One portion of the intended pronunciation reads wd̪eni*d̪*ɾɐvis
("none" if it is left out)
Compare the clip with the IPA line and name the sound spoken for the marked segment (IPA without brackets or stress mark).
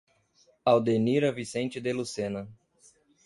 none